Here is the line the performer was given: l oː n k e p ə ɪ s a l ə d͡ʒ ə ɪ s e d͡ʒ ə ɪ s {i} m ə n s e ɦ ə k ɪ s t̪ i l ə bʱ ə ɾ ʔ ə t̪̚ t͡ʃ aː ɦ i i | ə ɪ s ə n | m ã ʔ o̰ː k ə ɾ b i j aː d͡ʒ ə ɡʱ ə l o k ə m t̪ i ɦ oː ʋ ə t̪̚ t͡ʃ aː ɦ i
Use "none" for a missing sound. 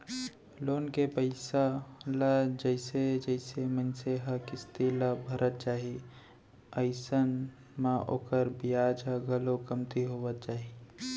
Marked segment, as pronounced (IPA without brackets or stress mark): e